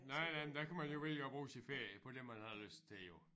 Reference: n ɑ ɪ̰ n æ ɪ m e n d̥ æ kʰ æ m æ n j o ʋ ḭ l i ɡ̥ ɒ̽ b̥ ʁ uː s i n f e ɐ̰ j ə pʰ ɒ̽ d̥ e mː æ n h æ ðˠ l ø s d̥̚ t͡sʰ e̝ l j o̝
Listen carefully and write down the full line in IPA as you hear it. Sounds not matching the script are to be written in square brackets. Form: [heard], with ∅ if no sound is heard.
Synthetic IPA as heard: n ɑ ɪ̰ n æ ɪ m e n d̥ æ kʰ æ m æ n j o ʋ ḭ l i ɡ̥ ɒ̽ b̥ ʁ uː s i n f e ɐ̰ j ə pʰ ɒ̽ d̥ e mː æ n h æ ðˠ l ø s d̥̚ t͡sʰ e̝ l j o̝